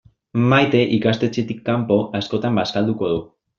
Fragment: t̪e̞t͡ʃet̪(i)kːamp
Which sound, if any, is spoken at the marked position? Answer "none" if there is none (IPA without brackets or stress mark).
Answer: i